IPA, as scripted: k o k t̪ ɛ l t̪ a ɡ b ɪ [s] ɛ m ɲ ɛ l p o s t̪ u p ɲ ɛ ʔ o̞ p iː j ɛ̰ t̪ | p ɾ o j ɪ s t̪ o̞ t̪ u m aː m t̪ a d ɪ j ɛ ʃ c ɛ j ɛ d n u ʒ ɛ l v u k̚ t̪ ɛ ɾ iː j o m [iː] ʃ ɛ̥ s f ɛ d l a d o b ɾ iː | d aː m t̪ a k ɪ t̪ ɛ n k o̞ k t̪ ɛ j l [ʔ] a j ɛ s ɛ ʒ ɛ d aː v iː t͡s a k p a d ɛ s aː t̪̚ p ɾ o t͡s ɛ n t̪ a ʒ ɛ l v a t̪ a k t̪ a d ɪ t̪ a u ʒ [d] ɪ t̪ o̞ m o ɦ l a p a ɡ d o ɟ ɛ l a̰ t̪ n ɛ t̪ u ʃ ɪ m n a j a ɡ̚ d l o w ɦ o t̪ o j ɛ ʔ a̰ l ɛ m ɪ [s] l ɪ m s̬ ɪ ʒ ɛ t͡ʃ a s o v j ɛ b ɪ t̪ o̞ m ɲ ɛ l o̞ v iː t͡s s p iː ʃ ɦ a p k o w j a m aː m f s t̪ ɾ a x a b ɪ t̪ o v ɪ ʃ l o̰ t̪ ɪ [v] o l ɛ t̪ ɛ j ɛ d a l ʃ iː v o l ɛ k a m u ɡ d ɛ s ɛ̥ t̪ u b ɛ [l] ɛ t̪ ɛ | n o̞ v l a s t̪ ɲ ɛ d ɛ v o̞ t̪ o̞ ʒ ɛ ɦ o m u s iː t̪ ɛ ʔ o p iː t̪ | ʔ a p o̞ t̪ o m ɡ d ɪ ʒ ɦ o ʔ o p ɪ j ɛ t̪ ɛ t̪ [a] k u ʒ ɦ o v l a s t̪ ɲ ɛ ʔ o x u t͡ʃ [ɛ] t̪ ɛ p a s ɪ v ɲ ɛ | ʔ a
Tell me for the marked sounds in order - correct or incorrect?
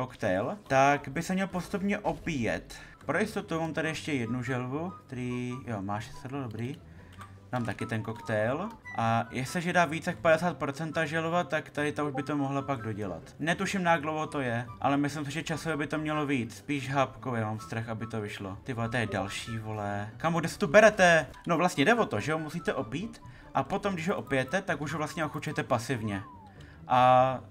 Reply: correct, incorrect, correct, incorrect, correct, correct, incorrect, correct, correct

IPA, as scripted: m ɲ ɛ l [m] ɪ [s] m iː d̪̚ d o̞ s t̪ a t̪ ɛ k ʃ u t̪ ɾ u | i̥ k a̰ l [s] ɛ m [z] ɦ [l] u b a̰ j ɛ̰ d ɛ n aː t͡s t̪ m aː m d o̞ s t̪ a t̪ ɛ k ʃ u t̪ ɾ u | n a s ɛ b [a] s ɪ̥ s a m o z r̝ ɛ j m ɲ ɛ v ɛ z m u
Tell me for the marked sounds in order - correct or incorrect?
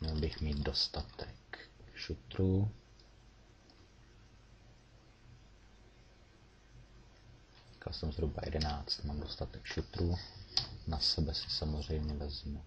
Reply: incorrect, incorrect, correct, correct, incorrect, incorrect

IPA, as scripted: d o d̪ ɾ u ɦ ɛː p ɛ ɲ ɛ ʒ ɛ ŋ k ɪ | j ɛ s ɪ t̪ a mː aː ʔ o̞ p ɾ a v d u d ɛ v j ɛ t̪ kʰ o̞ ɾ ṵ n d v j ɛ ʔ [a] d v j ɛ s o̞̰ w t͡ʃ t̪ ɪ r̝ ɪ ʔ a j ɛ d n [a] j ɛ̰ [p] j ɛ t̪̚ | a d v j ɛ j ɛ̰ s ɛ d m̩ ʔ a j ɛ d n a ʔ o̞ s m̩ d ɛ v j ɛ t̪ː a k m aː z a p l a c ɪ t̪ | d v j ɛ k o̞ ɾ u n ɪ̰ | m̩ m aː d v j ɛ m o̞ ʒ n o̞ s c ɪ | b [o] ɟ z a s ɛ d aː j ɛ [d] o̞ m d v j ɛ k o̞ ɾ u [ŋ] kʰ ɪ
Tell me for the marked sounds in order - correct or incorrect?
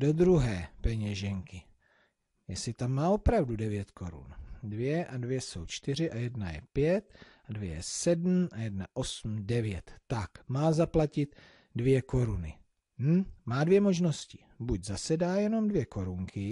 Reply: correct, correct, correct, incorrect, incorrect, correct

